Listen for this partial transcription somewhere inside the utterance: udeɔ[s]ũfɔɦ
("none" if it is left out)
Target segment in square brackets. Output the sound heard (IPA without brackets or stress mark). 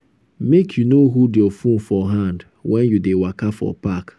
f